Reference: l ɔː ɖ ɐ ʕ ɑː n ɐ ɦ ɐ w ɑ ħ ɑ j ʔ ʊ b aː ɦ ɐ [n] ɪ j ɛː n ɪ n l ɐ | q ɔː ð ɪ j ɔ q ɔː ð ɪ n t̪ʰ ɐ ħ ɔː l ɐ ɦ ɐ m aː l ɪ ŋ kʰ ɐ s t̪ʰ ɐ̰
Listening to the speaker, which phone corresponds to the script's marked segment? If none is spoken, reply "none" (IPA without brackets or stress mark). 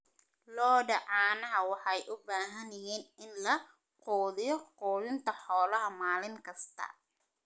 n